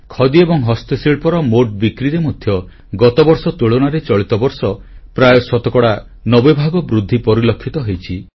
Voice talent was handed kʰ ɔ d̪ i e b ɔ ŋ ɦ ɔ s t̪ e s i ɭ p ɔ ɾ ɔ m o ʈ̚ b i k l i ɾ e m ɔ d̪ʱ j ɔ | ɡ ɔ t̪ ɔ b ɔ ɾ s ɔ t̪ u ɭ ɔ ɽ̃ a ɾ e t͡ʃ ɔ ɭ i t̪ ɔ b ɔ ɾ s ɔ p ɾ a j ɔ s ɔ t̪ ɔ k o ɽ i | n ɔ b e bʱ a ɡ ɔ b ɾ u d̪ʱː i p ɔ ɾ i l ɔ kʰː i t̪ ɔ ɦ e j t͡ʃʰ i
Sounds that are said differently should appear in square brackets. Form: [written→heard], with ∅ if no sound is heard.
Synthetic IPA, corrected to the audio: kʰ ɔ d̪ i e b ɔ ŋ ɦ ɔ s t̪ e s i ɭ p ɔ ɾ ɔ m o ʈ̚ b i k [l→ɾ] i ɾ e m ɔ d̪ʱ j ɔ | ɡ ɔ t̪ ɔ b ɔ ɾ s ɔ t̪ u ɭ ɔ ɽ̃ a ɾ e t͡ʃ ɔ ɭ i t̪ ɔ b ɔ ɾ s ɔ p ɾ a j ɔ s ɔ t̪ ɔ k [o→ɔ] ɽ [i→a] | n ɔ b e bʱ a ɡ ɔ b ɾ u d̪ʱː i p ɔ ɾ i l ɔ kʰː i t̪ ɔ ɦ e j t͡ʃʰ i